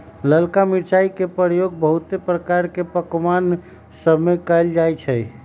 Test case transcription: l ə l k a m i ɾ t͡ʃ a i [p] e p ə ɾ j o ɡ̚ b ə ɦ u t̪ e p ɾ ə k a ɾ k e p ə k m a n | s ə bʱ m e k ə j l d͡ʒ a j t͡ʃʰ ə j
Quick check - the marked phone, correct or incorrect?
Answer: incorrect: k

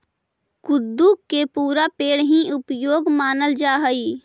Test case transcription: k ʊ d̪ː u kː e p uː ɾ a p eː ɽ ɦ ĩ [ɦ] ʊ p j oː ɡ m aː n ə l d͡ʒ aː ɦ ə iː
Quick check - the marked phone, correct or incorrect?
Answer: incorrect: none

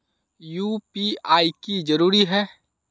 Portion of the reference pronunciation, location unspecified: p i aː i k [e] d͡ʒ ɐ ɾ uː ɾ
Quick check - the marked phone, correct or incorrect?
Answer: incorrect: i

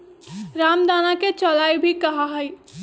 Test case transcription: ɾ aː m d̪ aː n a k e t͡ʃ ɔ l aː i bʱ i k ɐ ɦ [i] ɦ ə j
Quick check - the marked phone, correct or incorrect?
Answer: incorrect: a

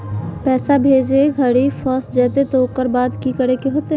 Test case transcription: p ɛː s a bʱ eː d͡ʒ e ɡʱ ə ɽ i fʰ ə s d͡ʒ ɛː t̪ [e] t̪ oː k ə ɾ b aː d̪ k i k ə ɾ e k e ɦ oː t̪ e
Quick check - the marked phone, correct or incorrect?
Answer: correct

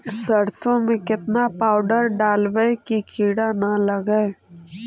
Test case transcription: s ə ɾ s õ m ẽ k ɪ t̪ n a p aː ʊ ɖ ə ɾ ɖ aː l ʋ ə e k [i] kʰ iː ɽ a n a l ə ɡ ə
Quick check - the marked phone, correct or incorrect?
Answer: correct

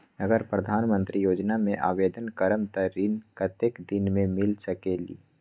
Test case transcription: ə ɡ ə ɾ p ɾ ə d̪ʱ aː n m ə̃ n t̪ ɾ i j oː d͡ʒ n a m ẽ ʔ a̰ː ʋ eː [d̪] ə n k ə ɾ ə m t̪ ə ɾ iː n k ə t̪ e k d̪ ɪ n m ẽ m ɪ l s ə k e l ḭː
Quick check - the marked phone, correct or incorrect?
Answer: correct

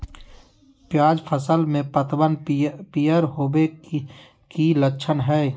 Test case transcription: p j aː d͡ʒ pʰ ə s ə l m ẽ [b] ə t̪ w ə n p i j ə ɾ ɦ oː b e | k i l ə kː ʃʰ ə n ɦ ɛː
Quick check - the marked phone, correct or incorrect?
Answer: incorrect: p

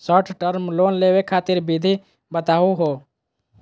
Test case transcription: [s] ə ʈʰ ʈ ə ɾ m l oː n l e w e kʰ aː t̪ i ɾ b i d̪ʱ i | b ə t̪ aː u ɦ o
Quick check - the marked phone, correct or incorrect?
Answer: correct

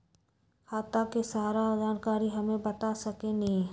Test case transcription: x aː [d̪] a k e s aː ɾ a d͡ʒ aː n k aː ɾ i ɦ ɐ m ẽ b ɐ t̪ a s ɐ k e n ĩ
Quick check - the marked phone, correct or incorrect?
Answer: incorrect: t̪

